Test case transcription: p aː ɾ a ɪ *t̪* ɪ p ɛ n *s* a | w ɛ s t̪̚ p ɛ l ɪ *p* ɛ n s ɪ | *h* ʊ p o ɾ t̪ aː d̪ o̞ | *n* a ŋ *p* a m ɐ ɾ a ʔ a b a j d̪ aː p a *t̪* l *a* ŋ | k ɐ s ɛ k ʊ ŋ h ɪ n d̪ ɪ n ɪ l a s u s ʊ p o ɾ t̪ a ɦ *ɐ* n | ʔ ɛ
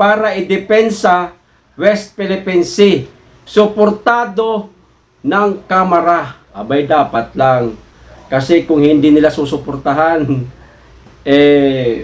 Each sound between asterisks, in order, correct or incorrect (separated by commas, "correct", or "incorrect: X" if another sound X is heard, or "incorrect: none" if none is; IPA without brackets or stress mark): incorrect: d̪, correct, correct, incorrect: s, correct, incorrect: k, correct, correct, incorrect: a